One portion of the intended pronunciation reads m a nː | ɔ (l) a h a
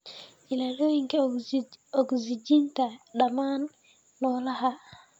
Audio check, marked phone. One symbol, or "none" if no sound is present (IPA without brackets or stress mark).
l